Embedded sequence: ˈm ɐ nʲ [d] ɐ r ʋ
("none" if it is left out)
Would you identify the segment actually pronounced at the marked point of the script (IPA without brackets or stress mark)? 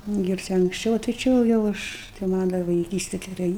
d